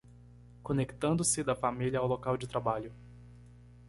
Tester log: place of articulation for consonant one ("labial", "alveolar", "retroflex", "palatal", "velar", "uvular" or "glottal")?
velar